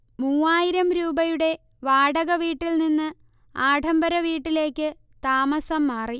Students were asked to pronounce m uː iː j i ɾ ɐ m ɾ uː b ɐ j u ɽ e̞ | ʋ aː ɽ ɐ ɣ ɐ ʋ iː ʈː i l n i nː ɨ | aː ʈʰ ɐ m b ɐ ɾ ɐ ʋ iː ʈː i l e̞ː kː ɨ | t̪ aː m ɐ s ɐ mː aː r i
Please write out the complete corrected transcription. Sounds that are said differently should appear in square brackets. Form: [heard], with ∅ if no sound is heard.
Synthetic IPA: m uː [aː] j i ɾ ɐ m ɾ uː b ɐ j u ɽ e̞ | ʋ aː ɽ ɐ ɣ ɐ ʋ iː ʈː i l n i nː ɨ | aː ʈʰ ɐ m b ɐ ɾ ɐ ʋ iː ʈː i l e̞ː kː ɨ | t̪ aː m ɐ s ɐ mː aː r i